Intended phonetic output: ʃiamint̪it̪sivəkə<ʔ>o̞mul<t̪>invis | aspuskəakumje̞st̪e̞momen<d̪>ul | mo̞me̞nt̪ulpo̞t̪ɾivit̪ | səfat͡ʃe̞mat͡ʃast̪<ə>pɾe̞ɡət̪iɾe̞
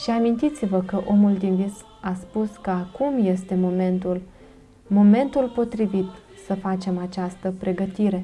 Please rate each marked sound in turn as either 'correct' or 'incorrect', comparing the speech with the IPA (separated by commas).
correct, incorrect, incorrect, correct